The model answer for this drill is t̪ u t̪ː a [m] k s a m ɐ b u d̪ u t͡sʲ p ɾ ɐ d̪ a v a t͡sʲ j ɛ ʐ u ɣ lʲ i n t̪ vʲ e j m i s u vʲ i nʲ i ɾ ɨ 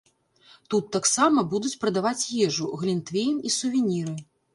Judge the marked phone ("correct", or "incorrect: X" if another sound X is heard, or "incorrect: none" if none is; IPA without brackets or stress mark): incorrect: none